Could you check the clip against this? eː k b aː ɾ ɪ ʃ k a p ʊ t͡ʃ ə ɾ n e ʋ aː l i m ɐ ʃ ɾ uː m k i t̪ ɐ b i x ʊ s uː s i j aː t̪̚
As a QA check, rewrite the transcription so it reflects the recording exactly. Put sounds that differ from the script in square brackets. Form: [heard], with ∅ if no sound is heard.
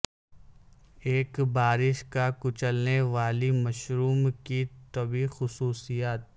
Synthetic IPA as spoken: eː k b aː ɾ ɪ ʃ k a [k] ʊ t͡ʃ ə [l] n e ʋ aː l i m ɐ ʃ ɾ uː m k i t̪ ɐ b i x ʊ s uː s i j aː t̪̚